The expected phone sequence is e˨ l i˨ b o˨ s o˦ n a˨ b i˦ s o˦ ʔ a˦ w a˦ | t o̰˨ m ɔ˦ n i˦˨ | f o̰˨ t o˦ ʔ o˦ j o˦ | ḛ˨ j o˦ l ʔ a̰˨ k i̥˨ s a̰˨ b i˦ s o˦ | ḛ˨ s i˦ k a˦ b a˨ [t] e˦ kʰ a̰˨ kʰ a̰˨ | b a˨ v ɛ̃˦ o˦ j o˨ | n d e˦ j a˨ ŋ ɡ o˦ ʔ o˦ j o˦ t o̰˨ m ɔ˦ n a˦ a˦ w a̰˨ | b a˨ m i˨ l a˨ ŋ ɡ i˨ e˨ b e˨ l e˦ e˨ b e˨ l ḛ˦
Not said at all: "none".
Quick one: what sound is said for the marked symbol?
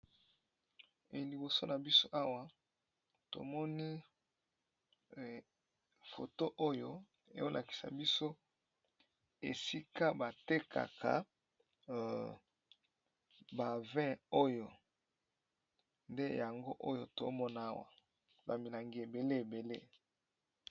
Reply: t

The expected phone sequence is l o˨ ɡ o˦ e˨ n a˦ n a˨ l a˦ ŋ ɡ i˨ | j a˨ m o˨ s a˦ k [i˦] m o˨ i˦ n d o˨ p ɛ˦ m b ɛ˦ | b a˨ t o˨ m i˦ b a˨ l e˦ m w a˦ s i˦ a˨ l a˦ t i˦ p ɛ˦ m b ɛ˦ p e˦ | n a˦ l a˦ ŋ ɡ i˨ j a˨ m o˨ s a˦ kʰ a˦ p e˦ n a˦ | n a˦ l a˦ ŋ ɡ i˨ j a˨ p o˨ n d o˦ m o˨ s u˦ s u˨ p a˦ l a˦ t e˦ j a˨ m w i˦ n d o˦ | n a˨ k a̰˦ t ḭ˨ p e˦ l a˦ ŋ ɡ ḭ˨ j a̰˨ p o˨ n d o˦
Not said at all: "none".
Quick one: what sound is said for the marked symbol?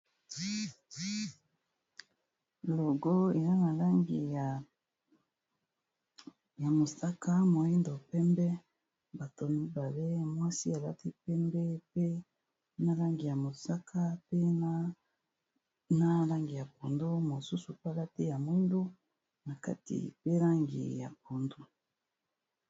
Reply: a˦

